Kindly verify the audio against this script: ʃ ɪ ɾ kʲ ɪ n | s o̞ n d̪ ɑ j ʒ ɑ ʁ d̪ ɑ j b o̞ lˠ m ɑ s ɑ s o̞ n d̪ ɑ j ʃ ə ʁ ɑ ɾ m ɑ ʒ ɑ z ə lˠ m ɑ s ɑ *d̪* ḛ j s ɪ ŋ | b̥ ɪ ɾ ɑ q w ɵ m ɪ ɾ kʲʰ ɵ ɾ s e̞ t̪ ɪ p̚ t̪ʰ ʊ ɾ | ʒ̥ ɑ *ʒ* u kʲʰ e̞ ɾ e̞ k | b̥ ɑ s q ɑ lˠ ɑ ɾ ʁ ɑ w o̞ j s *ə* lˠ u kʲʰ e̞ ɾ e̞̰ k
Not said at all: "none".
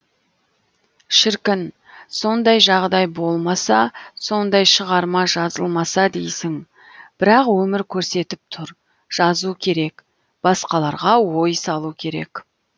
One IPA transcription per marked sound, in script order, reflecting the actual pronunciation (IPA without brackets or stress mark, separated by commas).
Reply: d̪, z, ɑ